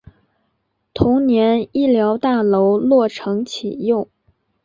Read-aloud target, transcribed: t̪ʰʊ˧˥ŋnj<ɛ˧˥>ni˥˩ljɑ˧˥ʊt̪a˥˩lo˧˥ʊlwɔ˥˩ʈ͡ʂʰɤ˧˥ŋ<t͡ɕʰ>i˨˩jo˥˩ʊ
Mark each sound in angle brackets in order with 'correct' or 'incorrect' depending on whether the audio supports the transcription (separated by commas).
correct, correct